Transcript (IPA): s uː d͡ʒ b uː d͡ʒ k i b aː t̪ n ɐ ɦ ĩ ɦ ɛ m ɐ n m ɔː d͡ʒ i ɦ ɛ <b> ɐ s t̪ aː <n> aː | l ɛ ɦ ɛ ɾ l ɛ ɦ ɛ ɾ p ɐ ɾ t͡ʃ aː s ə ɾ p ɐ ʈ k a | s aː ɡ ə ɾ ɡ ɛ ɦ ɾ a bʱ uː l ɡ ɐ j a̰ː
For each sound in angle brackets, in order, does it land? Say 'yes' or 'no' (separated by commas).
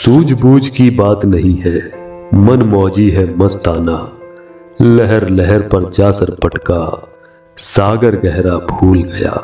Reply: no, yes